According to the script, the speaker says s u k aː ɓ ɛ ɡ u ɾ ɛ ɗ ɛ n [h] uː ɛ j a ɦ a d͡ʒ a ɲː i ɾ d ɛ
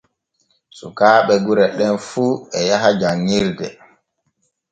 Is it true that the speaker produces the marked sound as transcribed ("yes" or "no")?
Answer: no